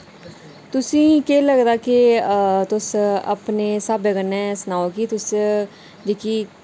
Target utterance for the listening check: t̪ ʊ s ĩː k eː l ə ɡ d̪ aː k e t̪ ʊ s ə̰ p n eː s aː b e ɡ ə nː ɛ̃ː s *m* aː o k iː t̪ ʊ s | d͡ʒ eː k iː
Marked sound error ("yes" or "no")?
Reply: yes